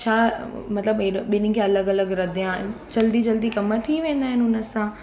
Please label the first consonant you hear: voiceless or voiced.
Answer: voiceless